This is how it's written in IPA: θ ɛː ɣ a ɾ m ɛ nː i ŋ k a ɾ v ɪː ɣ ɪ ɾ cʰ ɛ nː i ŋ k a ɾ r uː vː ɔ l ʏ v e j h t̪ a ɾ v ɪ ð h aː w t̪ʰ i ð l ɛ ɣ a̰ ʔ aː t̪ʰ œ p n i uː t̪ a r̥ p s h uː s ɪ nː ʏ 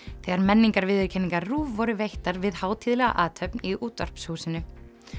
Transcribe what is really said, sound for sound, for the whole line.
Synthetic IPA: θ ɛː ɣ a ɾ m ɛ nː i ŋ k a ɾ v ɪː ð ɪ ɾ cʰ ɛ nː i ŋ k a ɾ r uː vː ɔ ɾ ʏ v e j h t̪ a ɾ v ɪ ð h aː w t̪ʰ i ð l ɛ ɣ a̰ ʔ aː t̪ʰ œ p n i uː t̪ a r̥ p s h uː s ɪ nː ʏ